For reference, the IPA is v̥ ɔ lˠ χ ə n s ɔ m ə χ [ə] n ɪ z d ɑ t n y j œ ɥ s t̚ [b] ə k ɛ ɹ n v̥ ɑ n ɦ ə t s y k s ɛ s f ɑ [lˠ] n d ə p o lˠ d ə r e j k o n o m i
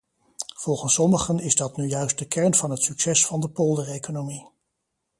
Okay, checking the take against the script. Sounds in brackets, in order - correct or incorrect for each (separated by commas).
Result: correct, incorrect, incorrect